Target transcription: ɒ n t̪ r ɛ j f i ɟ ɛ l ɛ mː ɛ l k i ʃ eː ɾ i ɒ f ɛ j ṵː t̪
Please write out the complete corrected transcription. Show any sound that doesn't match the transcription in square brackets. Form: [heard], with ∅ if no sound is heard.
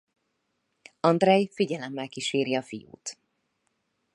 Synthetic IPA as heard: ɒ n [d̪] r ɛ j f i ɟ ɛ l ɛ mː ɛ l k i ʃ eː ɾ i ɒ f [i] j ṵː t̪